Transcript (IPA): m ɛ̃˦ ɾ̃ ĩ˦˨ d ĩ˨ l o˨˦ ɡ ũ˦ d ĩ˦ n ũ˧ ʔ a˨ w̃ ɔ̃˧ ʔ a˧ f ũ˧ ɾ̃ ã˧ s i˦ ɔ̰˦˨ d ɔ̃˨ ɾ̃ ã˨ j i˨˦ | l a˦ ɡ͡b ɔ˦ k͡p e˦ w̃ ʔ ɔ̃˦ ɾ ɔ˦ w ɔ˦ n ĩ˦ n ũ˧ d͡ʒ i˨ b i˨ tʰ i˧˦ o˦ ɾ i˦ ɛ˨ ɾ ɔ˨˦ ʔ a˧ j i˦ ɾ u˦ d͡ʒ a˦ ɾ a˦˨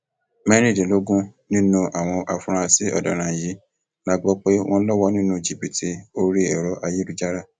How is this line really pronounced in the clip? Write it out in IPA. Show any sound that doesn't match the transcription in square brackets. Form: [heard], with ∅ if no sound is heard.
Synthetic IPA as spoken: m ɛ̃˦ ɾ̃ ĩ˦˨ d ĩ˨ l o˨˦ ɡ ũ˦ [n] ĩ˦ n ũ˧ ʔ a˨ w̃ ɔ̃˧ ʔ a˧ f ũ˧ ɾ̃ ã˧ s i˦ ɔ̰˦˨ d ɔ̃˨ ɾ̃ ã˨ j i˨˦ | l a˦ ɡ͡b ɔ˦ k͡p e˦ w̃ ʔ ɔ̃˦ [l] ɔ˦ w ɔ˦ n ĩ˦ n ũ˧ d͡ʒ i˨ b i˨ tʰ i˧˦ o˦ ɾ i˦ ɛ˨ ɾ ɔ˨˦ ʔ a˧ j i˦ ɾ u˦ d͡ʒ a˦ ɾ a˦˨